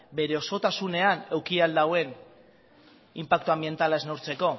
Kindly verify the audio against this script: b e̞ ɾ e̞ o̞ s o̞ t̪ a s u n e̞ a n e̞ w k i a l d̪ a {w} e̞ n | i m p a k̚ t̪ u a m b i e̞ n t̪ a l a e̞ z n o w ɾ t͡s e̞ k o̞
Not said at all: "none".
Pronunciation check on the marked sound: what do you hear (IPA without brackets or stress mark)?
w